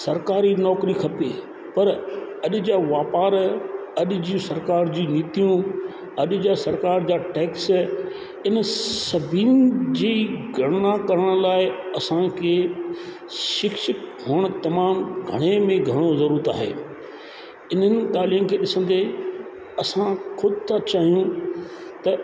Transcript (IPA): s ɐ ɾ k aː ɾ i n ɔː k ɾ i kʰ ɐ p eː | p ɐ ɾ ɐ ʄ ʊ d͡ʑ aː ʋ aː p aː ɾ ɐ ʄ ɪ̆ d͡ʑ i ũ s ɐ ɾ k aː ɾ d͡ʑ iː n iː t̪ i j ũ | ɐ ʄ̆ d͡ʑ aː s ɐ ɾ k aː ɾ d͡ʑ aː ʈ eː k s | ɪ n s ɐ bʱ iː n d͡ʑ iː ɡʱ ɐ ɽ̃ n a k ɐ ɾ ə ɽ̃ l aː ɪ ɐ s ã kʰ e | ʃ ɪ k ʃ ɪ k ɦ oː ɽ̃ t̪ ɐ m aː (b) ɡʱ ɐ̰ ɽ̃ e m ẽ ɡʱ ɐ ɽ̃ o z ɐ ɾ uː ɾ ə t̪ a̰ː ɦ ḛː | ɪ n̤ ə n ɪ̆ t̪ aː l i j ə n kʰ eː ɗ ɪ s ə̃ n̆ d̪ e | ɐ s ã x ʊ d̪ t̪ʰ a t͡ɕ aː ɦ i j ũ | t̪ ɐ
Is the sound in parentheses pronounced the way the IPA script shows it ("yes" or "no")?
no